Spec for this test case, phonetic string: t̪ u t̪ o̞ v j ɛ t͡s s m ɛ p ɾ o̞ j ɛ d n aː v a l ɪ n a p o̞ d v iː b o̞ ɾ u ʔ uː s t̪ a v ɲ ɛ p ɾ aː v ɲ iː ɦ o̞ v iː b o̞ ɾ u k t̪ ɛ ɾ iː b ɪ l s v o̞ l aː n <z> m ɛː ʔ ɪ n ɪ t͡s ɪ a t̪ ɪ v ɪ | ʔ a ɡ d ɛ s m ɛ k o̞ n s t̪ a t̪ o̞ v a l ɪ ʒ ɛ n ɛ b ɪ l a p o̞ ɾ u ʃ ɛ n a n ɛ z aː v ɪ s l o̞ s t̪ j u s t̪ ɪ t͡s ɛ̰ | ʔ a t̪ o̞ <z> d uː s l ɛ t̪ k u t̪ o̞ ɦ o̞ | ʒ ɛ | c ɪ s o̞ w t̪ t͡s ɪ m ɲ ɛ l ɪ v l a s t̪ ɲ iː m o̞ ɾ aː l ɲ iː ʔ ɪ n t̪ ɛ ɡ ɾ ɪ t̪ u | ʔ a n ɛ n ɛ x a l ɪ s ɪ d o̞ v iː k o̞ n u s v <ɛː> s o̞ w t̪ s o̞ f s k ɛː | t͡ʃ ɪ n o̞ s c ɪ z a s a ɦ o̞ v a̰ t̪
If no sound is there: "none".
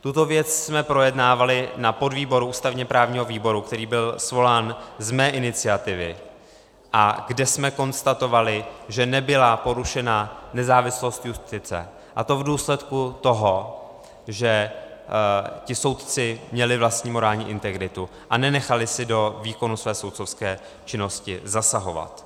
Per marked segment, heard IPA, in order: z, v, ɛː

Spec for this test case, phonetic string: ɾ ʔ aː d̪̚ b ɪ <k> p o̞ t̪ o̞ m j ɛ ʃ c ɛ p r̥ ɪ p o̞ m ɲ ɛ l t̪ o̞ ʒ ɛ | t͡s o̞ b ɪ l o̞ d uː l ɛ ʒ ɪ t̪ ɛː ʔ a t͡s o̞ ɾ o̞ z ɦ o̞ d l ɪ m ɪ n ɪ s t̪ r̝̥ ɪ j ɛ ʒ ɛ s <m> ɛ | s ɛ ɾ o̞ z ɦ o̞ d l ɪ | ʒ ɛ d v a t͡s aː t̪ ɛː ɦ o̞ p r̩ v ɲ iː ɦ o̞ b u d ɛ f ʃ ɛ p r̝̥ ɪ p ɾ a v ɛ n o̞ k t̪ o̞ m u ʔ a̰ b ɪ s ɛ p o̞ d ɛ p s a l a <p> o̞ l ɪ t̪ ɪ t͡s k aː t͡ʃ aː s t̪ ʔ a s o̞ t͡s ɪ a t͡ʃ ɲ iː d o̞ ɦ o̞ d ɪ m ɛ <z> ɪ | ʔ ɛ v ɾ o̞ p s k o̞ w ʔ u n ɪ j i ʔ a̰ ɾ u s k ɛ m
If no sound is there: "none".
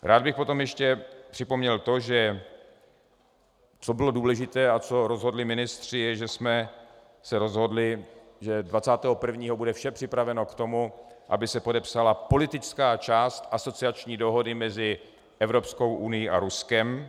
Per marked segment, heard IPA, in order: x, m, p, z

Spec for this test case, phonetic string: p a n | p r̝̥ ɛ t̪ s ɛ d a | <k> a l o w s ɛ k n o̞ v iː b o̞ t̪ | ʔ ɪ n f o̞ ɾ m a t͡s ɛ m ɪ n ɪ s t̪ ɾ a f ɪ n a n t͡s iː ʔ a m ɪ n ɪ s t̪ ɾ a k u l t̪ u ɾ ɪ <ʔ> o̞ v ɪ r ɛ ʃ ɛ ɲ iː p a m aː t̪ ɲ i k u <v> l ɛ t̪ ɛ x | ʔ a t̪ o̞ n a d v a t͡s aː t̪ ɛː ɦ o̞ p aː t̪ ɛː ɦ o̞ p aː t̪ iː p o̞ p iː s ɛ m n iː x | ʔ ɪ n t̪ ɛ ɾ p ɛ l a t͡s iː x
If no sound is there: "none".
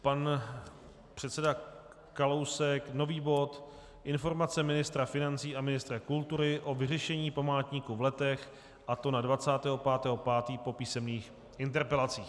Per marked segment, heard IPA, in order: k, ʔ, v

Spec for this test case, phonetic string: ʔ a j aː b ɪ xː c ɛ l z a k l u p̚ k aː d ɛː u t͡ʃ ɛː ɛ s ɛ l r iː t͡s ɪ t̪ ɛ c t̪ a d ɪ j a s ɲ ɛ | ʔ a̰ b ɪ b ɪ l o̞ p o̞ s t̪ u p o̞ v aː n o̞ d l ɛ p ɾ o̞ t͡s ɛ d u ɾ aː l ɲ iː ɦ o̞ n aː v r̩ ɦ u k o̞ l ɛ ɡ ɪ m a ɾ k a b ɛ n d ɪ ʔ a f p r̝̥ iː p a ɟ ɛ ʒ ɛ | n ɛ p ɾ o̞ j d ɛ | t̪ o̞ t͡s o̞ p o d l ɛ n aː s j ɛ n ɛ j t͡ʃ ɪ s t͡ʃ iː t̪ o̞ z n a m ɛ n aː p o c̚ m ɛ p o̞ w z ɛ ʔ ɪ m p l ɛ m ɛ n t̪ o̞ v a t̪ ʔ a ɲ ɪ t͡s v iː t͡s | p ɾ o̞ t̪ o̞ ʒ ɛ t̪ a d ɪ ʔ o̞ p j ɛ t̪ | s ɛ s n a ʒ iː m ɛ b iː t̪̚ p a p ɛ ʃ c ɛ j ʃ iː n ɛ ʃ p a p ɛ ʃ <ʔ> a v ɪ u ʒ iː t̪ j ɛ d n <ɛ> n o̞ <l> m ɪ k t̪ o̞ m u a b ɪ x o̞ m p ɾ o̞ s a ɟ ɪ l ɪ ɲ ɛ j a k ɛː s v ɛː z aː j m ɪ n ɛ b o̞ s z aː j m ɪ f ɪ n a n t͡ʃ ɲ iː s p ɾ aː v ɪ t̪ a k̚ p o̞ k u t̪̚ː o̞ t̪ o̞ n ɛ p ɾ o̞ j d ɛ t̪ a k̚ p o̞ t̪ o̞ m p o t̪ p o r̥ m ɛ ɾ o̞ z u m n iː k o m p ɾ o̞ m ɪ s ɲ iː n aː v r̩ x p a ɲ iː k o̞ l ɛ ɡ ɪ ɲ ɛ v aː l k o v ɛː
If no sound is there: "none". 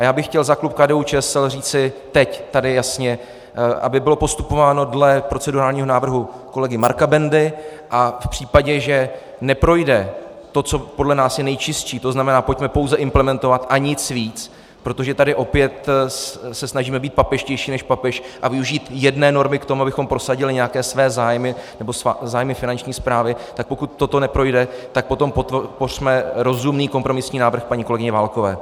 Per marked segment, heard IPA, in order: ʔ, ɛː, ɾ

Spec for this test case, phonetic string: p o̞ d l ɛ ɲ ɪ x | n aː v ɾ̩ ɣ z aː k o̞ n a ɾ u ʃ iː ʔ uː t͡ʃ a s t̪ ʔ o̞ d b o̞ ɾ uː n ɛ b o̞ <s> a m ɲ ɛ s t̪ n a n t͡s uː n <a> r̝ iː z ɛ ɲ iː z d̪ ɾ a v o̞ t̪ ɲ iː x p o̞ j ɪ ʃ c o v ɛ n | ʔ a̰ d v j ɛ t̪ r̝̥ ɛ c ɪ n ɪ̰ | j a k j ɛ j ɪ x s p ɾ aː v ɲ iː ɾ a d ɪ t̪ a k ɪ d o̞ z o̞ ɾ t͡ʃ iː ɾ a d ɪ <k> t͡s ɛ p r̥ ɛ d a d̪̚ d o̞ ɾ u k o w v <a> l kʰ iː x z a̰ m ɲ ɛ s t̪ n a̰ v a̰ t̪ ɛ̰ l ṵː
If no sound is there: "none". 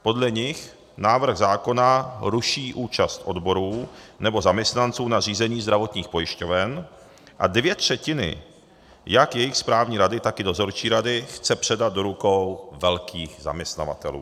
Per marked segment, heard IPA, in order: z, a, x, ɛ

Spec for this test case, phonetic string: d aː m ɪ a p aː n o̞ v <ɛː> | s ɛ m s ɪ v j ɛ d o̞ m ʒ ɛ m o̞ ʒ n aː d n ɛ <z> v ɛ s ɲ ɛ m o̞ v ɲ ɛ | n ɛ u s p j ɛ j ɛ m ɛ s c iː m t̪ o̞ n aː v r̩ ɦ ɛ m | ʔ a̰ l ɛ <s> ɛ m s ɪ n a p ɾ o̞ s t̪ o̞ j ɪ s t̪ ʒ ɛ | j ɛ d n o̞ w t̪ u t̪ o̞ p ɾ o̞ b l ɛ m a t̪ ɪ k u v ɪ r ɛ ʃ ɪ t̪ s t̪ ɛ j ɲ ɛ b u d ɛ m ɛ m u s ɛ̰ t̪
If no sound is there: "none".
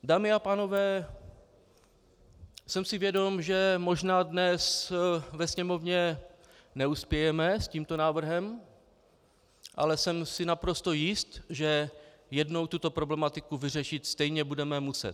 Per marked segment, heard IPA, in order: ɛː, s, s

